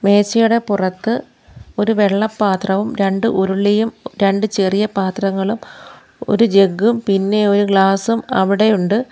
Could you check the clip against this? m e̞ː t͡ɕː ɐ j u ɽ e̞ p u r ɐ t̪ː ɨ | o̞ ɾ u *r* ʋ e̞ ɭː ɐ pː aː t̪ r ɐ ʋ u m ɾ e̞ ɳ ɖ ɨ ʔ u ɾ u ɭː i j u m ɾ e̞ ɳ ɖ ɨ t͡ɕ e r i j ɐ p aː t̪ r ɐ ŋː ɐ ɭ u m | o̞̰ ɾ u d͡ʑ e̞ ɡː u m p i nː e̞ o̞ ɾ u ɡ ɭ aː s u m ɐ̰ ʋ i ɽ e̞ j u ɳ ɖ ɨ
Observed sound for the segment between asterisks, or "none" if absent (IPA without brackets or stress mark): none